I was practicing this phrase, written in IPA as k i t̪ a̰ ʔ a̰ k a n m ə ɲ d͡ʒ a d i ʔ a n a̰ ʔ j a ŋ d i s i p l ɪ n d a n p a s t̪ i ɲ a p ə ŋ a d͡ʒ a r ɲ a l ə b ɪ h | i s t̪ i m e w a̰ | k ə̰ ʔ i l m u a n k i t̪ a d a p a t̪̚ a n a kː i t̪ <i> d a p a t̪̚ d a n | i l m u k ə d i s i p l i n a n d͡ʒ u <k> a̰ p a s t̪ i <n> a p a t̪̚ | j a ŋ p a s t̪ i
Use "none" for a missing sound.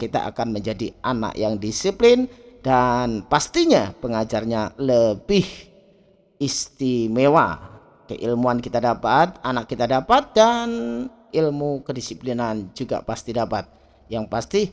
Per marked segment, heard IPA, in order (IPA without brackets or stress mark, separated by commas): a, ɡ, d